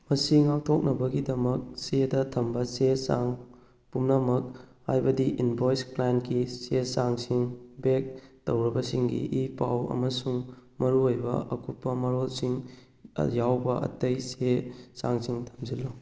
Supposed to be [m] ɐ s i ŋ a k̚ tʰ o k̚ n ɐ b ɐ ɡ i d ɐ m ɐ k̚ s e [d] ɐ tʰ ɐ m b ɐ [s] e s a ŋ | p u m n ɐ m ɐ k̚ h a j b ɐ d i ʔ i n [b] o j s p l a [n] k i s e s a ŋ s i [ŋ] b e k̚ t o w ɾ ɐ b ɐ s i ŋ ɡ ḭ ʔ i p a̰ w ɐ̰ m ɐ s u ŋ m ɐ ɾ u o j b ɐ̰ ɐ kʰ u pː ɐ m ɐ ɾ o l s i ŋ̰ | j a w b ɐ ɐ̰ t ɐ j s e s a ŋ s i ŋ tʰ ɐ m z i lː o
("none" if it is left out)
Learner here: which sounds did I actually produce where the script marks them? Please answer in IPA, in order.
m, d, s, b, n, ŋ

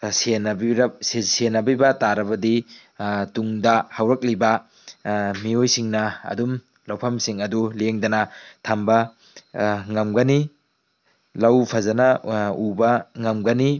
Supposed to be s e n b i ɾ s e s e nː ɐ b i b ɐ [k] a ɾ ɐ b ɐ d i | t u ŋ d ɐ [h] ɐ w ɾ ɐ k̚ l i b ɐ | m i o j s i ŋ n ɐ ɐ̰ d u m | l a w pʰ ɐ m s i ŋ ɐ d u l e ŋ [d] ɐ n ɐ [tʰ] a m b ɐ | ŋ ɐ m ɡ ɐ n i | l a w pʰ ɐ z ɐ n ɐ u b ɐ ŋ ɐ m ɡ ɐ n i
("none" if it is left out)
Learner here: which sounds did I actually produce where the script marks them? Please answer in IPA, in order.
t, h, d, tʰ

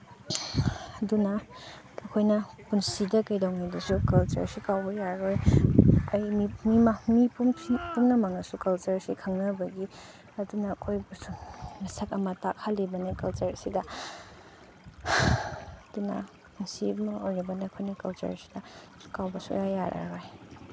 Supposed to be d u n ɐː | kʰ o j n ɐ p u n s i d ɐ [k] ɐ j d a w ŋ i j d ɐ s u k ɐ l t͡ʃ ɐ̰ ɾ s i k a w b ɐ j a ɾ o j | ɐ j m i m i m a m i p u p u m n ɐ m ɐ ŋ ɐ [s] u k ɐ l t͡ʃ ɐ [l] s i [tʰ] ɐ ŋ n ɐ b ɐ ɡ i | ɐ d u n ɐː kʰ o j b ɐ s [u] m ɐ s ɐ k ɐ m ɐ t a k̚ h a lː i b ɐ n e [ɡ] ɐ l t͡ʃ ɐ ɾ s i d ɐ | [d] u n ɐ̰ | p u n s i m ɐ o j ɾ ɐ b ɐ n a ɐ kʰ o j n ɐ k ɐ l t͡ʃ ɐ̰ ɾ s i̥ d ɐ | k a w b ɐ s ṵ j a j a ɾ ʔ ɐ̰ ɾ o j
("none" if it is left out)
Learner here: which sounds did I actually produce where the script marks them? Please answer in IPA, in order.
k, s, ɾ, kʰ, u, k, d

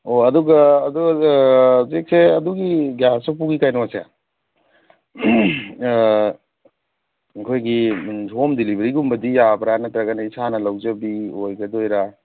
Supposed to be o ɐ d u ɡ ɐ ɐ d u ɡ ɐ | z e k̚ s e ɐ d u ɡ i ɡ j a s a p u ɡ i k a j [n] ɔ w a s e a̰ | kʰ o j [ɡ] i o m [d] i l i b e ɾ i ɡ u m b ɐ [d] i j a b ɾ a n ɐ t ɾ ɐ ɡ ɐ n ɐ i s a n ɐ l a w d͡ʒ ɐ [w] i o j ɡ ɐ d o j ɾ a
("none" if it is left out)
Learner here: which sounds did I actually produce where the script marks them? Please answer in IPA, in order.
n, ɡ, d, d, b

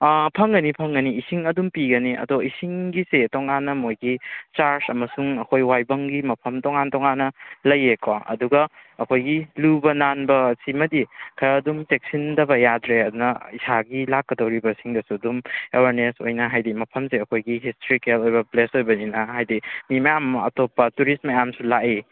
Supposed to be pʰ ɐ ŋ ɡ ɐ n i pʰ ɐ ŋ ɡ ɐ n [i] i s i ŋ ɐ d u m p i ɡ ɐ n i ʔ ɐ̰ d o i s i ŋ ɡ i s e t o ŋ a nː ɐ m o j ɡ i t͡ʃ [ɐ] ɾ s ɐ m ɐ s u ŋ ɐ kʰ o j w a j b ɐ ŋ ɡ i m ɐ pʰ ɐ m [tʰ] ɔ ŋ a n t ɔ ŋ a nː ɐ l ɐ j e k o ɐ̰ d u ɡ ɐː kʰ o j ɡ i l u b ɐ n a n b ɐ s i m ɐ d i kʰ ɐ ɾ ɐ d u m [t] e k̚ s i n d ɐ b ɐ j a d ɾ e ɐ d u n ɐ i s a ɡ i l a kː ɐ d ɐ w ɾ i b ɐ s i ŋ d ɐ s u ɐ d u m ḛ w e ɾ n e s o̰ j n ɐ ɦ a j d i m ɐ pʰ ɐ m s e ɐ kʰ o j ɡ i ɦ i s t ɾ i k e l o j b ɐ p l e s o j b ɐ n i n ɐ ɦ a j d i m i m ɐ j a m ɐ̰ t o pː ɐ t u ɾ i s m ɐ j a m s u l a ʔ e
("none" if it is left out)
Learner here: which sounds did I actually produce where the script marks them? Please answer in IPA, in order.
i, a, t, t

